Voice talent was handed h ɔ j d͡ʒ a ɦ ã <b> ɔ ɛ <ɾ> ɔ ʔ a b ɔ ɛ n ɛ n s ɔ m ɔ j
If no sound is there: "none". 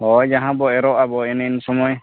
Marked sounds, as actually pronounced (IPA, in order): b, ɾ

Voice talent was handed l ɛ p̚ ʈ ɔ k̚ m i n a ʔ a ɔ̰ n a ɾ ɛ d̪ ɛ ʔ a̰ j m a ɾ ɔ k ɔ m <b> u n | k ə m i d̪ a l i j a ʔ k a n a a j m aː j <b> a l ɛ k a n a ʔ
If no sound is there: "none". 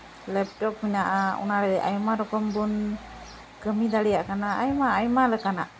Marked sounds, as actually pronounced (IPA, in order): b, m

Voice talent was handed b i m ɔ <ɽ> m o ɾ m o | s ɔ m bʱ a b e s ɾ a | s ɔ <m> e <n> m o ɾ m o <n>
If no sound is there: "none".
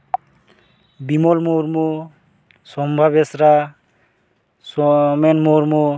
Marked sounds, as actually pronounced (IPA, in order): l, m, n, none

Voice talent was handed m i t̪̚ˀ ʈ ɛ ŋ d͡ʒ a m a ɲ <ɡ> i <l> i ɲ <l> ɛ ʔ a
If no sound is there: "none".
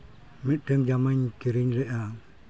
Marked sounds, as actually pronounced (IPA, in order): k, ɾ, ɾ

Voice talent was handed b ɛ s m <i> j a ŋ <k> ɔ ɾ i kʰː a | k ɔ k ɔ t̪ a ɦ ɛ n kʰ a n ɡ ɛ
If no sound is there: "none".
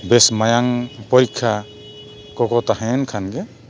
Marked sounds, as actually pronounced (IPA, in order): a, p

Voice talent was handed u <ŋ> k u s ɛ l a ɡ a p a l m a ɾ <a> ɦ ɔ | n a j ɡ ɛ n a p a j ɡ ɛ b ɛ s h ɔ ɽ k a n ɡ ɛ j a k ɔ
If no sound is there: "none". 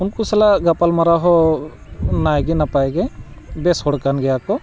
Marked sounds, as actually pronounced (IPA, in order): n, a

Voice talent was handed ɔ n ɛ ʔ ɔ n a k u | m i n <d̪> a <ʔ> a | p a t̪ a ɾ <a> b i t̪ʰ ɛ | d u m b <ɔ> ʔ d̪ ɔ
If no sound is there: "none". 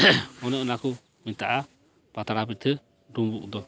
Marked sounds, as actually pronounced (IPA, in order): t̪, ʔ, a, u

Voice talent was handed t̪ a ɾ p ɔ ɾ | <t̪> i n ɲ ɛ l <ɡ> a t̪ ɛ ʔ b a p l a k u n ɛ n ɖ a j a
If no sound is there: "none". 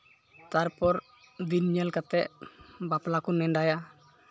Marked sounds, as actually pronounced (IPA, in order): d̪, k

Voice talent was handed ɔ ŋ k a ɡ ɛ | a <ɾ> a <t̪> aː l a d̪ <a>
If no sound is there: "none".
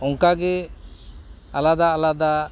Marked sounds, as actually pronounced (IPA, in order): l, d̪, a

